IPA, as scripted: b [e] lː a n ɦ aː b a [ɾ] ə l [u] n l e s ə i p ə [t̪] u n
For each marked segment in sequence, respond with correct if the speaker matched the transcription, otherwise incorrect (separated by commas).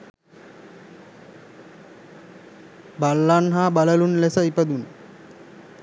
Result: incorrect, incorrect, correct, incorrect